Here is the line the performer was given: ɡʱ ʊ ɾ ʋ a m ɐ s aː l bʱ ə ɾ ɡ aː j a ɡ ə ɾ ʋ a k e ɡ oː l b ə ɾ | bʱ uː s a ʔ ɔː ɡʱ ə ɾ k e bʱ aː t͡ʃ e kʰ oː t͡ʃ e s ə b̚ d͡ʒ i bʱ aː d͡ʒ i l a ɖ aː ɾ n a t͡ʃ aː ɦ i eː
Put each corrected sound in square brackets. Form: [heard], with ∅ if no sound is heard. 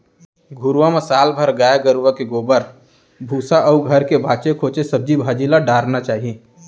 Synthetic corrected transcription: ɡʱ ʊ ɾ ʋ a m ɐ s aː l bʱ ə ɾ ɡ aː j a ɡ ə ɾ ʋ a k e ɡ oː [∅] b ə ɾ | bʱ uː s a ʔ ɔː ɡʱ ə ɾ k e bʱ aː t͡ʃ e kʰ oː t͡ʃ e s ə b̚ d͡ʒ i bʱ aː d͡ʒ i l a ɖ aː ɾ n a t͡ʃ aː ɦ i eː